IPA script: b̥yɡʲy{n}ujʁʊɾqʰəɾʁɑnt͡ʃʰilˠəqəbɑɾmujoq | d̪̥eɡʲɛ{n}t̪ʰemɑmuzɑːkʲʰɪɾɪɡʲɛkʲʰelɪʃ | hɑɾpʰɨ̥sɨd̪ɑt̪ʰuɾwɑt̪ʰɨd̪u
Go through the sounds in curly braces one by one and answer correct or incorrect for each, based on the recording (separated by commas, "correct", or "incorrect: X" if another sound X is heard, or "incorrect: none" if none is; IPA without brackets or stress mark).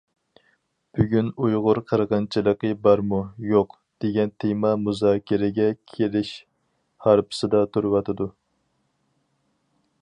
correct, correct